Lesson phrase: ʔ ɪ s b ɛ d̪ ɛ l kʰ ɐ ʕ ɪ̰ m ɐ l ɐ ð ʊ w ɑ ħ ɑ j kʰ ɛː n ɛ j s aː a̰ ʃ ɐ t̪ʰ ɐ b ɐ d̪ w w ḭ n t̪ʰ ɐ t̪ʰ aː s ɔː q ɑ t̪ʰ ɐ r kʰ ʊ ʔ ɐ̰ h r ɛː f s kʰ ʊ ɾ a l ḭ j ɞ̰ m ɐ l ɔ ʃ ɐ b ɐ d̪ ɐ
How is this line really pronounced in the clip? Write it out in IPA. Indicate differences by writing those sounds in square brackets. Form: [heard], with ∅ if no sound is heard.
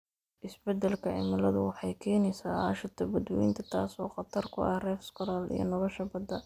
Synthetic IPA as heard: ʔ ɪ s b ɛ d̪ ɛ l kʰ ɐ ʕ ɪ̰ m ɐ l ɐ ð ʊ w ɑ ħ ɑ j kʰ ɛː n ɛ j s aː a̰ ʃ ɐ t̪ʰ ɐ b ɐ d̪ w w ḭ n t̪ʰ ɐ t̪ʰ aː s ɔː q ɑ t̪ʰ ɐ r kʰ ʊ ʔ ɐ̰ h r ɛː f s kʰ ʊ ɾ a l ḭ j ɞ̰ [n] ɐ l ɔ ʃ ɐ b ɐ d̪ ɐ